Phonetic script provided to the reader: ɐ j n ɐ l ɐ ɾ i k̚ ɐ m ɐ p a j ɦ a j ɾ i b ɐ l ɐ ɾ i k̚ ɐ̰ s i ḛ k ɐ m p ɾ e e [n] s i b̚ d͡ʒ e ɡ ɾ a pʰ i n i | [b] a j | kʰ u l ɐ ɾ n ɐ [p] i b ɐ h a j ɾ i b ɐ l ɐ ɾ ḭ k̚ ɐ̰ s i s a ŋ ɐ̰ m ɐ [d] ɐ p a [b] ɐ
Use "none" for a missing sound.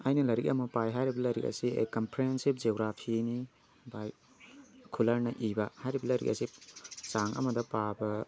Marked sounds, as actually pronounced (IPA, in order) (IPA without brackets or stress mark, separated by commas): n, b, ʔ, d, b